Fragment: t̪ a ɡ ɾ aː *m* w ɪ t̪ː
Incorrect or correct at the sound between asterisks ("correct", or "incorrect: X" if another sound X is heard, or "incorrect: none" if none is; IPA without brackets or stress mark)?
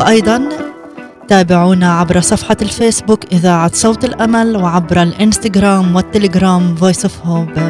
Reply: correct